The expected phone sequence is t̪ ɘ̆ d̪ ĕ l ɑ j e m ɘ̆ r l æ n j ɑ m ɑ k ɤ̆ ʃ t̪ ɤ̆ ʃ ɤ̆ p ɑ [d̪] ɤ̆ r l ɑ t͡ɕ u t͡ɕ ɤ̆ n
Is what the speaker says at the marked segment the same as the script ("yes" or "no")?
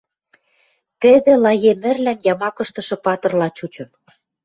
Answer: no